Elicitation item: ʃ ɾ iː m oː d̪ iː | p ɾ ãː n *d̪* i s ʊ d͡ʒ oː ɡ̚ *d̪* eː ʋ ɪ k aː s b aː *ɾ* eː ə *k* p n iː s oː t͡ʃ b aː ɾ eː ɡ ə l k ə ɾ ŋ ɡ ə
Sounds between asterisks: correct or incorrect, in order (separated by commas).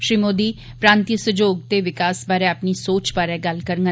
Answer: incorrect, incorrect, correct, incorrect